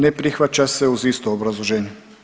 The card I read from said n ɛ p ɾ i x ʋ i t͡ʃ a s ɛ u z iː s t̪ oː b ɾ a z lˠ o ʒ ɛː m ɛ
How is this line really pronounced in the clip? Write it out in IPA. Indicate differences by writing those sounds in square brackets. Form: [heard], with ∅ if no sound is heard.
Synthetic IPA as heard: n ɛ p ɾ i x ʋ [a] t͡ʃ a s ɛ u z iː s t̪ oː b ɾ a z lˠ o ʒ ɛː [n] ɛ